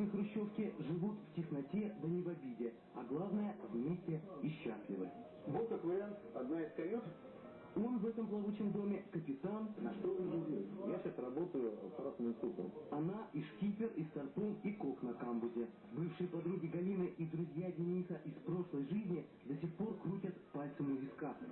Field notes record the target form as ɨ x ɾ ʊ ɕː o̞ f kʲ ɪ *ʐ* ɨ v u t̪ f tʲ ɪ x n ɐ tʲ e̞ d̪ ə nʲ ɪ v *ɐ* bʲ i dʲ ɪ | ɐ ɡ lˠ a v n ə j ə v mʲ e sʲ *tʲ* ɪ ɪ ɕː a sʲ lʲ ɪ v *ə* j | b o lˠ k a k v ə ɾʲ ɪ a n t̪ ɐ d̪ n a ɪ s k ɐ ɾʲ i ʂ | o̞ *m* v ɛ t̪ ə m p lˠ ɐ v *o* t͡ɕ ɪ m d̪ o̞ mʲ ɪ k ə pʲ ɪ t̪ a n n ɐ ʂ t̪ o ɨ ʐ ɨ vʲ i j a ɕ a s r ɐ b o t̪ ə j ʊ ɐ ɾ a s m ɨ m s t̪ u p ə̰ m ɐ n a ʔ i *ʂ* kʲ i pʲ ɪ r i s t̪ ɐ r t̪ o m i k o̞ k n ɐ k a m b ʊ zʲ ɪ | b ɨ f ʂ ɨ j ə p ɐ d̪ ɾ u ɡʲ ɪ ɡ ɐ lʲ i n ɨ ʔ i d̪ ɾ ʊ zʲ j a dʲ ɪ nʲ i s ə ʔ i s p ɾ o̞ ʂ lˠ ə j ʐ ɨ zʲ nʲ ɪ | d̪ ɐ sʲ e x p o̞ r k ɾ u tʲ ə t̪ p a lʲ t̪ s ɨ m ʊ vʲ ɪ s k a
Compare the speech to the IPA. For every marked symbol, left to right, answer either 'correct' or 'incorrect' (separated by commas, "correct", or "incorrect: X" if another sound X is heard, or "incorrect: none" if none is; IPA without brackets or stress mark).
correct, correct, correct, correct, incorrect: n, incorrect: u, correct